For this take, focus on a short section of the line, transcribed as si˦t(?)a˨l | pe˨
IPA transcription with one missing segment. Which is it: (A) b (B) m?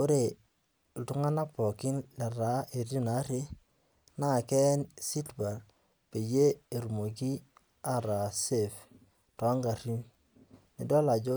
A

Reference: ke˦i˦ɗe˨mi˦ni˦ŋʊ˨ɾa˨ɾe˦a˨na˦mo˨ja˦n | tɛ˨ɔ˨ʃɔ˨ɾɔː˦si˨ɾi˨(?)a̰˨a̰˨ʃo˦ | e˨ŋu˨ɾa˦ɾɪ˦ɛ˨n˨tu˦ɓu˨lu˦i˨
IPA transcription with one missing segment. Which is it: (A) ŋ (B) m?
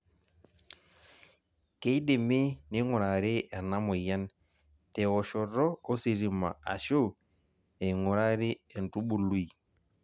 B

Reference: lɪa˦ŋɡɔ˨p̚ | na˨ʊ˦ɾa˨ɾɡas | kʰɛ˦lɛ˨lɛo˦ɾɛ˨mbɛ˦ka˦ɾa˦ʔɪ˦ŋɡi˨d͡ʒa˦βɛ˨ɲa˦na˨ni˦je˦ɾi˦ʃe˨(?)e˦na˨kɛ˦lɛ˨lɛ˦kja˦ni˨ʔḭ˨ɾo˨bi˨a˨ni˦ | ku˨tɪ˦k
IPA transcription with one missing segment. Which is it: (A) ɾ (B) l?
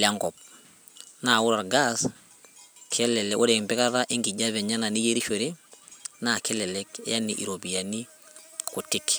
A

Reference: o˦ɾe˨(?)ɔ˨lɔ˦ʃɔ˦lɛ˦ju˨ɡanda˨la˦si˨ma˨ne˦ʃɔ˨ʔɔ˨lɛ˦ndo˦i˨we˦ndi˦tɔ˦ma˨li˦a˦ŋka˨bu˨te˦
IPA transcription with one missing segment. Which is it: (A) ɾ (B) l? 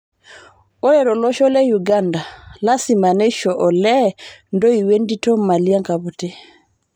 A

